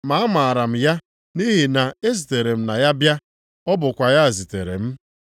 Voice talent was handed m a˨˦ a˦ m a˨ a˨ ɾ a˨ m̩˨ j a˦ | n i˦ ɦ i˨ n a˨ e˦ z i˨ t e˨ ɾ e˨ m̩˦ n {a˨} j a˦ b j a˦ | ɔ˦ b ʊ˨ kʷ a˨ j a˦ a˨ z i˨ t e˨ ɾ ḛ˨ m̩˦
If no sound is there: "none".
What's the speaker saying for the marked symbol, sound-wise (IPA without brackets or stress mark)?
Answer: a˨